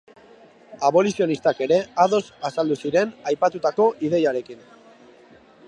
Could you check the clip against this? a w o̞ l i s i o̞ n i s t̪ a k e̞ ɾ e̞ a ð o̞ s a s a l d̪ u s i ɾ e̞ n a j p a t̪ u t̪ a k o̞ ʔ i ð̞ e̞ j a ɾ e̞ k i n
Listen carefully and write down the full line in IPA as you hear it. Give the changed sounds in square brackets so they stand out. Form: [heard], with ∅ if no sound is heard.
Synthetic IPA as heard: a [β] o̞ l i s i o̞ n i s t̪ a k e̞ ɾ e̞ a ð o̞ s a s a l d̪ u s i ɾ e̞ n a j p a t̪ u t̪ a k o̞ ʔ i ð̞ e̞ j a ɾ e̞ k i n